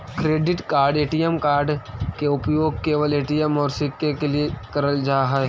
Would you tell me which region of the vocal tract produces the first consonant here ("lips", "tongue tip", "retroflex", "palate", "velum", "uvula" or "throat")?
velum